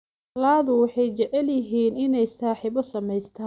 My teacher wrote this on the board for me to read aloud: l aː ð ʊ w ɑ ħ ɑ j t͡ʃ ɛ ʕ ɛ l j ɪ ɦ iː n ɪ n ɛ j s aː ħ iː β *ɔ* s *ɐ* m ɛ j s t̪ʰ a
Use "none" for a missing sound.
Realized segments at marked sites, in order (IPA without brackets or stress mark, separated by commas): ɔ, ɐ